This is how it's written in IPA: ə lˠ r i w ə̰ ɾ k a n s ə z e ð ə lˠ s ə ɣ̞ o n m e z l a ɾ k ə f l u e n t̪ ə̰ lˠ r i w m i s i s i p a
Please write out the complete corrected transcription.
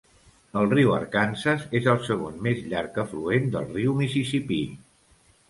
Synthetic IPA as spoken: ə lˠ r i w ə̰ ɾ k a n s ə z e z ə lˠ s ə ɣ̞ o n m e z ʎ a ɾ k ə f l u e n d̪ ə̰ lˠ r i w m i s i s i p i

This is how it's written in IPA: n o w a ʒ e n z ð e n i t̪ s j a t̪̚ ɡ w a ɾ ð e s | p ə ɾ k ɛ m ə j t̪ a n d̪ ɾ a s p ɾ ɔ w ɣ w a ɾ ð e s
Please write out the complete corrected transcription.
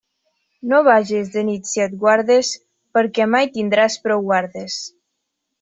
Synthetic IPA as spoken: n o β a ʒ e z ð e n i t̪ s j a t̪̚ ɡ w a ɾ ð e s | p ə ɾ k ɛ m a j t̪ i n d̪ ɾ a s p ɾ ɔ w ɣ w a ɾ ð e s

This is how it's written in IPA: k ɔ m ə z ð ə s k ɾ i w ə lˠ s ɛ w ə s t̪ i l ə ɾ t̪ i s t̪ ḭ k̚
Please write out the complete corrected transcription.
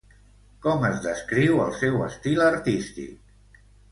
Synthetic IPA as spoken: k ɔ m ə z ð ə s k ɾ i w ə lˠ s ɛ w ə s t̪ i l ə ɾ t̪ i s t̪ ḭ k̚

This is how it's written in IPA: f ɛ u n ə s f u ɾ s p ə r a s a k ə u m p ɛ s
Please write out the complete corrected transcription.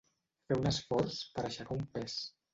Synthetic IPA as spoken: f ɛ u n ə s f ɔ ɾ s p ə ɾ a ʃ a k a u m p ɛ s

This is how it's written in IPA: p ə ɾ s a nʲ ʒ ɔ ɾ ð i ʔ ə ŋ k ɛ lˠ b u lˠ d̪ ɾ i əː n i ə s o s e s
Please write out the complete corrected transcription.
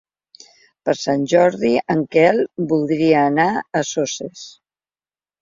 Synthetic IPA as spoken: p ə ɾ s a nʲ ʒ ɔ ɾ ð i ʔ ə ŋ k ɛ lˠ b u lˠ d̪ ɾ i əː n a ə s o s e s

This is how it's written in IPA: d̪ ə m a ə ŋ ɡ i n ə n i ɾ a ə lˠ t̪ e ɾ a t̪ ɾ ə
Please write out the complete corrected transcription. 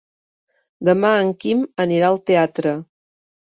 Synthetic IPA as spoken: d̪ ə m a ə ŋ k i m ə n i ɾ a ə lˠ t̪ e a t̪ ɾ ə

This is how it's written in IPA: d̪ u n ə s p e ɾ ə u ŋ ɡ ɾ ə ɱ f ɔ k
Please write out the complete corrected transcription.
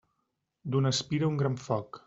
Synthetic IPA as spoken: d̪ u n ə s p i ɾ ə u ŋ ɡ ɾ a ɱ f ɔ k

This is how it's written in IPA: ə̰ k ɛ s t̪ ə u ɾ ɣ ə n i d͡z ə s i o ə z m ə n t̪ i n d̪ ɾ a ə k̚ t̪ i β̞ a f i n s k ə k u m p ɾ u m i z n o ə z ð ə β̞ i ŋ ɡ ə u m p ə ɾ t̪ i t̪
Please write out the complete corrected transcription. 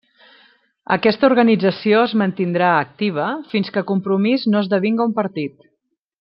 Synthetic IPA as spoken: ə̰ k ɛ s t̪ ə u ɾ ɣ ə n i d͡z ə s i o ə z m ə n t̪ i n d̪ ɾ a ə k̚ t̪ i β̞ ə f i n s k ə k u m p ɾ u m i z n o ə z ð ə β̞ i ŋ ɡ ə u m p ə ɾ t̪ i t̪

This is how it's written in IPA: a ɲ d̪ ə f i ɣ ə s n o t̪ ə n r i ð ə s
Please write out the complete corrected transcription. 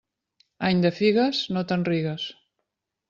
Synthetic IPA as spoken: a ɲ d̪ ə f i ɣ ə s n o t̪ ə n r i ɣ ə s

